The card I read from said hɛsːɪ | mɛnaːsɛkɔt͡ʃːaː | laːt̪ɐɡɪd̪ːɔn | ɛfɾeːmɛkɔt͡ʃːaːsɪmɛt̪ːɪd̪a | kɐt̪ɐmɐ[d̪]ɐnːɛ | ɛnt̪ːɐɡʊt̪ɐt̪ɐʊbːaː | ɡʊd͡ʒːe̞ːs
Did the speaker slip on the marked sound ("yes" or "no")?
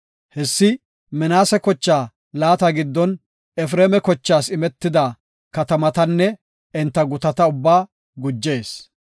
yes